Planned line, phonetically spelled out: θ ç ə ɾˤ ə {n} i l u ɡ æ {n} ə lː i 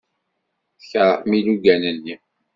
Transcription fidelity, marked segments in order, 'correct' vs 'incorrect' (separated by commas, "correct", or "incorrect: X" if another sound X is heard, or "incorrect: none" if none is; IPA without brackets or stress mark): incorrect: m, correct